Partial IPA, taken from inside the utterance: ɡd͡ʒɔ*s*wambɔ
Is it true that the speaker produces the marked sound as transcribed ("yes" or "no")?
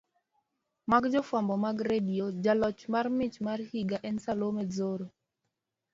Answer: no